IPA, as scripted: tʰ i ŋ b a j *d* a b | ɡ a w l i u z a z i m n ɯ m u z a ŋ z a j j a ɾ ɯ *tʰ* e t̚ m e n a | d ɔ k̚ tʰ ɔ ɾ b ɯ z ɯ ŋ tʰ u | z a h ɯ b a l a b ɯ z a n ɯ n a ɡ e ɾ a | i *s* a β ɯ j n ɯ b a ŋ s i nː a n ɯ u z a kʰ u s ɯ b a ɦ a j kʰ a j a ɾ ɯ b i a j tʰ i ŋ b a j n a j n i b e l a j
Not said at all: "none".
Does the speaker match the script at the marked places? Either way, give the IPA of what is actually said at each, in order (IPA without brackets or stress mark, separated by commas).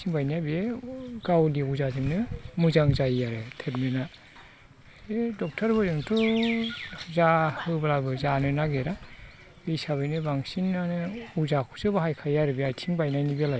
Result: n, tʰ, s